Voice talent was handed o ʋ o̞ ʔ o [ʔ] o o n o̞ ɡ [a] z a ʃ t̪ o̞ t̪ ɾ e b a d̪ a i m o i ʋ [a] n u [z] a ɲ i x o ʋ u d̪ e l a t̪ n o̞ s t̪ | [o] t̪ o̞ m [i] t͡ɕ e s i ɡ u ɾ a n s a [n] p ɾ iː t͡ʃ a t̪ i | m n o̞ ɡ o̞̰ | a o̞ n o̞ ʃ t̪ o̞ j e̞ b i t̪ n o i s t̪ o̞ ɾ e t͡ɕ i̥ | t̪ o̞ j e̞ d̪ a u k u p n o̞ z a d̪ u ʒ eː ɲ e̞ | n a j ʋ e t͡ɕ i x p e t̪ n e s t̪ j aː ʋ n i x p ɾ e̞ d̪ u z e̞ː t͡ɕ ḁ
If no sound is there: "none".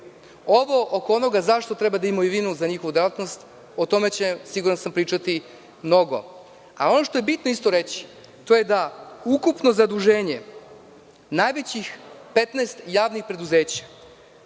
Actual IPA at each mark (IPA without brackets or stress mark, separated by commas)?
k, a, i, z, o, e, m